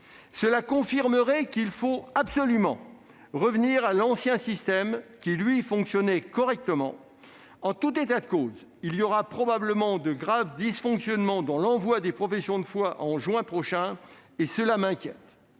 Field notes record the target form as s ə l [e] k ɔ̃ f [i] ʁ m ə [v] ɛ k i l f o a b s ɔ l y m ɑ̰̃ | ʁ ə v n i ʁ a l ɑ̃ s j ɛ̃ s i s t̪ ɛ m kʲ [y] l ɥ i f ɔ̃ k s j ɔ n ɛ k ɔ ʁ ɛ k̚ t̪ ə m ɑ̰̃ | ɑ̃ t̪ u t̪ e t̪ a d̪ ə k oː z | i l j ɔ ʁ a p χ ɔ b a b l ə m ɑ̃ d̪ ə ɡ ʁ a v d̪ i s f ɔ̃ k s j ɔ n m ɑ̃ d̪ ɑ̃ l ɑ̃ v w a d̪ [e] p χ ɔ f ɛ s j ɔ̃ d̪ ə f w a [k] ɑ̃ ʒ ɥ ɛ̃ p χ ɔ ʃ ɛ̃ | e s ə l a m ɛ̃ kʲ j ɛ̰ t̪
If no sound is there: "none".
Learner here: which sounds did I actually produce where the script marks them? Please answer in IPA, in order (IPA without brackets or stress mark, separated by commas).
a, i, ʁ, i, e, ʔ